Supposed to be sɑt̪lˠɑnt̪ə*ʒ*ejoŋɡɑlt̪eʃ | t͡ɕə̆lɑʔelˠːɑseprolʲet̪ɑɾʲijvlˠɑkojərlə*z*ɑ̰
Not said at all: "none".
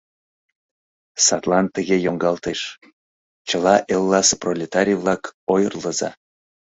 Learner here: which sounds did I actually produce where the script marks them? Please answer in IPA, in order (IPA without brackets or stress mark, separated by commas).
ɣ, z